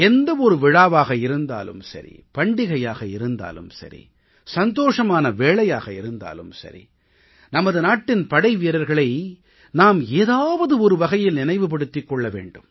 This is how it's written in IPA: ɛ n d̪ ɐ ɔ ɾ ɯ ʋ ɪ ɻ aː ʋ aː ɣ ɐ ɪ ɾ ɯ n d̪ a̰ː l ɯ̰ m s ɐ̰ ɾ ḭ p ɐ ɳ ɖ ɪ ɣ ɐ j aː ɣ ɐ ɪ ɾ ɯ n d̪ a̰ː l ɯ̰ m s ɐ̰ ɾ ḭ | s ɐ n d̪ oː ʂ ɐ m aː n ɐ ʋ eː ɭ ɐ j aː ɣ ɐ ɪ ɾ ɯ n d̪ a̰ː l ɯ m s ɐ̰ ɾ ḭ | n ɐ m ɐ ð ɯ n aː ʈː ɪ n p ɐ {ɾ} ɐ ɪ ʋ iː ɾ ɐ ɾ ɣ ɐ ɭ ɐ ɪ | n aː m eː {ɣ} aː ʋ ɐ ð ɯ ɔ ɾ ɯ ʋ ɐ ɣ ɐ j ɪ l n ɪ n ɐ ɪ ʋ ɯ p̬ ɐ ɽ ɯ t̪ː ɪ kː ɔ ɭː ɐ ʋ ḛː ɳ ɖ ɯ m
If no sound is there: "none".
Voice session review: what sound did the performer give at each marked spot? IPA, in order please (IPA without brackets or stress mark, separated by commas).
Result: ɽ, ð